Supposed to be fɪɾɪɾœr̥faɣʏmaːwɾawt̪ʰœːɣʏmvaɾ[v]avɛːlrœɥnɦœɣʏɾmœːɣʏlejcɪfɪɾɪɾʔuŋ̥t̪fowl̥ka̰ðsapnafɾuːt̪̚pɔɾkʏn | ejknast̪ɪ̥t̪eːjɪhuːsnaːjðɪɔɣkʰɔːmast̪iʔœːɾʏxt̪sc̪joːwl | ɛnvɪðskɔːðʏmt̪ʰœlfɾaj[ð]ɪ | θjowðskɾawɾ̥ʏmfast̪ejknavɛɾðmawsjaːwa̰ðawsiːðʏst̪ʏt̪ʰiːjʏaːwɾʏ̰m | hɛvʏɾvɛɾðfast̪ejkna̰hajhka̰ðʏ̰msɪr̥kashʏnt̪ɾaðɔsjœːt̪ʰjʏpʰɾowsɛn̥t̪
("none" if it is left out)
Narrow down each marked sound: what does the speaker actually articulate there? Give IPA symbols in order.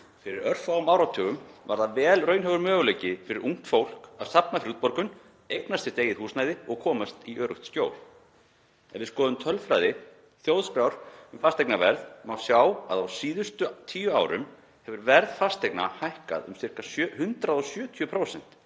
ð, ð

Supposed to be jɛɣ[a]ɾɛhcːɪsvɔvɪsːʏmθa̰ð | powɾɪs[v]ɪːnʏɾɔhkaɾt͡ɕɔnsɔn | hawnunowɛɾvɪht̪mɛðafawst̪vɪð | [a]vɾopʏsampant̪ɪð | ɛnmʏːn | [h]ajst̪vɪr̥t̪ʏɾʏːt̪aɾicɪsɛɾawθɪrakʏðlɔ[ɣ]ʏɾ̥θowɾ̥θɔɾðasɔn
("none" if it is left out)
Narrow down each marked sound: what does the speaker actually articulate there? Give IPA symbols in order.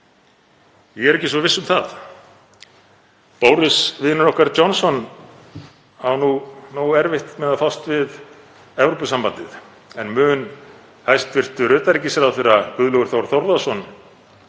ɛ, v, ɛ, h, ɣ

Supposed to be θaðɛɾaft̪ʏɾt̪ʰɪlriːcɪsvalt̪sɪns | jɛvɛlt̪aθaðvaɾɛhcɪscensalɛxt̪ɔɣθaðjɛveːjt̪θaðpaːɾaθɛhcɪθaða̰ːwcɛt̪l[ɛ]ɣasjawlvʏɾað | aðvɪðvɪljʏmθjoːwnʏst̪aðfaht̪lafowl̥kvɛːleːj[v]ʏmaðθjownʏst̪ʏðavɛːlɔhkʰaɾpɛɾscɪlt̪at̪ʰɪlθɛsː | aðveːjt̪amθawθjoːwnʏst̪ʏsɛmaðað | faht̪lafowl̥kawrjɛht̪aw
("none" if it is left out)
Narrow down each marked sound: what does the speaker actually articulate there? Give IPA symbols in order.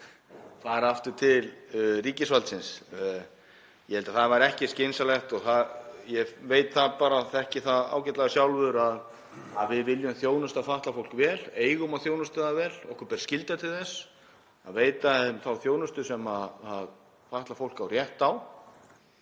a, ɣ

